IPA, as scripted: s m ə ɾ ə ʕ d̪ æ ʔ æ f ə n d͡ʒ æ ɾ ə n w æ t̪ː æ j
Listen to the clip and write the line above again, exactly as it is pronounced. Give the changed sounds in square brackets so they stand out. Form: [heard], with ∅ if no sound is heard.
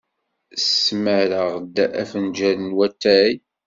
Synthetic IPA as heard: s m ə ɾ ə [ʁ] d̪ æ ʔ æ f ə n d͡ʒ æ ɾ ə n w æ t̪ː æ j